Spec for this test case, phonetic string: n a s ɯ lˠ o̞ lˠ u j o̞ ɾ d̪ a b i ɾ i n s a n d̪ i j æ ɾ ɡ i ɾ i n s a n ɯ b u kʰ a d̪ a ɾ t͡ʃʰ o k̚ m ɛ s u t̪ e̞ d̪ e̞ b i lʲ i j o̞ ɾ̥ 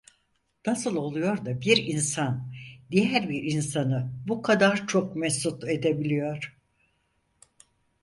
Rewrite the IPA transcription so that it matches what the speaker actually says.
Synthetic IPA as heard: n a s ɯ lˠ o̞ lˠ u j o̞ ɾ d̪ a b i ɾ i n s a n d̪ i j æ ɾ b i ɾ i n s a n ɯ b u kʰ a d̪ a ɾ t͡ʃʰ o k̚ m ɛ s u t̪ e̞ d̪ e̞ b i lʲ i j o̞ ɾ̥